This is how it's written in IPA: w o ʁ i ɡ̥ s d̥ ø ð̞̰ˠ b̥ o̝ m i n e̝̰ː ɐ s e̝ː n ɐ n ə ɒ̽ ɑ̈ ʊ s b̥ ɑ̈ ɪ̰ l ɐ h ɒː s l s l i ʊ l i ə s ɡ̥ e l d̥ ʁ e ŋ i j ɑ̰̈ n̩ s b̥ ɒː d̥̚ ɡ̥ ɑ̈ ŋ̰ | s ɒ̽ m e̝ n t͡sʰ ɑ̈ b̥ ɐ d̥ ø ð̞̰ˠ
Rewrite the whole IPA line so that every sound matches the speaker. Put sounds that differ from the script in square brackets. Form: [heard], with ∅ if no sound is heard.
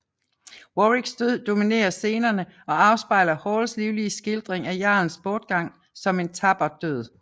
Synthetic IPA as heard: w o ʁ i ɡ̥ s d̥ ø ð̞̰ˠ [d̥] o̝ m i n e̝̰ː ɐ s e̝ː n ɐ n ə ɒ̽ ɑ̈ ʊ s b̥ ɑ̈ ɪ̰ l ɐ h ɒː [∅] l s l i ʊ l i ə s ɡ̥ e l d̥ ʁ e ŋ [æ] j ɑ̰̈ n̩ s b̥ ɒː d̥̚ ɡ̥ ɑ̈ ŋ̰ | s ɒ̽ m e̝ n t͡sʰ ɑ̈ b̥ ɐ d̥ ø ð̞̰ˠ